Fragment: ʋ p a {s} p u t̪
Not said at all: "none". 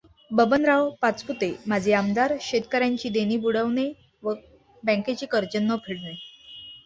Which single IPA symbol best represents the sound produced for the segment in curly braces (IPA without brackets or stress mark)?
t͡s